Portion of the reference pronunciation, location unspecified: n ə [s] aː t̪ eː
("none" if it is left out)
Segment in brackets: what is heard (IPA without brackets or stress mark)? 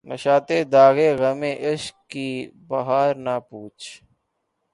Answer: ʃ